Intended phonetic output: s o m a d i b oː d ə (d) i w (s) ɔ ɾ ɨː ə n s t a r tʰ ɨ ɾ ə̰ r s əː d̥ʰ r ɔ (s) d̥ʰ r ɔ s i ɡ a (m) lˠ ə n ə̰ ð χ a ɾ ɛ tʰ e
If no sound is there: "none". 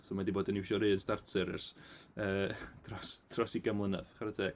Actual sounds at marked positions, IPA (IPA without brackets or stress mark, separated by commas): n, ʃ, s, m